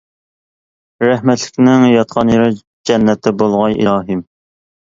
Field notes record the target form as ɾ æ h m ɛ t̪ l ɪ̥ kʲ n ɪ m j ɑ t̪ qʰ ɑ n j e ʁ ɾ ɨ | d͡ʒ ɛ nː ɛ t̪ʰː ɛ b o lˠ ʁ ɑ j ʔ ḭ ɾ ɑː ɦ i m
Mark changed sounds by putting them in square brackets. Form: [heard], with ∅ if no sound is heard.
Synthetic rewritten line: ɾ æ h m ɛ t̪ l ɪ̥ kʲ n ɪ [ŋ] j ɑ t̪ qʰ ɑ n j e [∅] ɾ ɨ | d͡ʒ ɛ nː ɛ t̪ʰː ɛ b o lˠ ʁ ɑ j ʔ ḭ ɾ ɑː ɦ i m